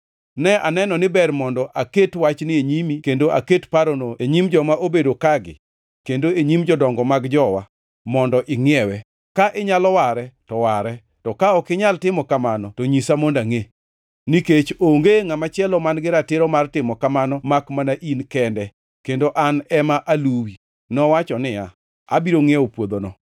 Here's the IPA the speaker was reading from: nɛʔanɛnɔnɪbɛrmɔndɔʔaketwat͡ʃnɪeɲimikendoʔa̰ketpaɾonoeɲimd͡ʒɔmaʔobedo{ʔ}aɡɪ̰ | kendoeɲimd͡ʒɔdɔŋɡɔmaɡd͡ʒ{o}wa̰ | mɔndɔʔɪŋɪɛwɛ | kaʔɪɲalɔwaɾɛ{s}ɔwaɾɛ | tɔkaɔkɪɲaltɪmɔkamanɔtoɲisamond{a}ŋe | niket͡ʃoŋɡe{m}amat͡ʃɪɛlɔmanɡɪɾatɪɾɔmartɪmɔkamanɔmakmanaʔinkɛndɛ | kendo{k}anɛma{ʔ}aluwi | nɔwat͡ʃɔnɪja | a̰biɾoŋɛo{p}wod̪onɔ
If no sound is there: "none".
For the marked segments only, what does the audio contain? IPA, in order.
k, ɔ, t, a, ŋ, ʔ, ʔ, p

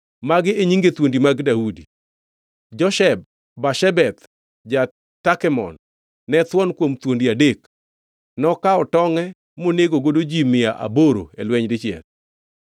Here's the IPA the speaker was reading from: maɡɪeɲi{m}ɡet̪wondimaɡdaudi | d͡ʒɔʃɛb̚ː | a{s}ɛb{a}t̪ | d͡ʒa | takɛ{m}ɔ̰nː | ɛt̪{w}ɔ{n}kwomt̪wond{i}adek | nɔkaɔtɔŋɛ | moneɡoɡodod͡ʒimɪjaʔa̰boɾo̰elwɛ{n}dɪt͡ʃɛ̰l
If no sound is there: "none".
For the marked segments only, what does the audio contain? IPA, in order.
ŋ, ʃ, ɛ, m, w, n, i, ɲ

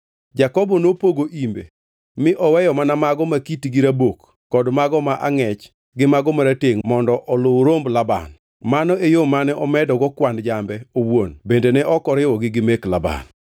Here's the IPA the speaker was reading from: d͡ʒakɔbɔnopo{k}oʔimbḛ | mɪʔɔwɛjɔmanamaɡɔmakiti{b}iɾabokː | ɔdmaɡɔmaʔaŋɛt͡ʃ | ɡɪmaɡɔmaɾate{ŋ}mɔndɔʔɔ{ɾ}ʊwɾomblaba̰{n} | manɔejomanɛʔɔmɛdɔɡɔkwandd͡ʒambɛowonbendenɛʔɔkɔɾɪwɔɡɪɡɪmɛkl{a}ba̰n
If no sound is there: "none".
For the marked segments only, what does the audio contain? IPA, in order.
ɡ, ɡ, ŋ, l, n, a

